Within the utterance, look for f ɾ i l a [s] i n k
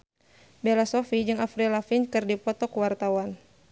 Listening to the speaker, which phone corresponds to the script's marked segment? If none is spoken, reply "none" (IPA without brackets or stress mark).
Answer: f